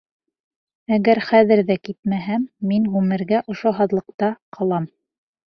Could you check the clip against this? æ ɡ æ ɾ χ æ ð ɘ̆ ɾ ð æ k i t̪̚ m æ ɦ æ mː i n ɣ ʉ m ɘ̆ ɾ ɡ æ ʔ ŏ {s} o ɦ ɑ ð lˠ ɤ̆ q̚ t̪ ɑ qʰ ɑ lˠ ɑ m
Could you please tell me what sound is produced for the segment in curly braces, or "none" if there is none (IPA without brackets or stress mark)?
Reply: ʃ